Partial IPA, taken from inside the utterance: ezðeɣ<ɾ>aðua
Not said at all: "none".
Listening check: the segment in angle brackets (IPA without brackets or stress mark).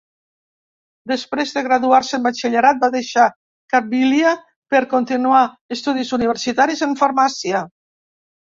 ɾ